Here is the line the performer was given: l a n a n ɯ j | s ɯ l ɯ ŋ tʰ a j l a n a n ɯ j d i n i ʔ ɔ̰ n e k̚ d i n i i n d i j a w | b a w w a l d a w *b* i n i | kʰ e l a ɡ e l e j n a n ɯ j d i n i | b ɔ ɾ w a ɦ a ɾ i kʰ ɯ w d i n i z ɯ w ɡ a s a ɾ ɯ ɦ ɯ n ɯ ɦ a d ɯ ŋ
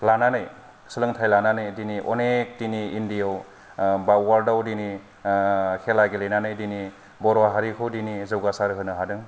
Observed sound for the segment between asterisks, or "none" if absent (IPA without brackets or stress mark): d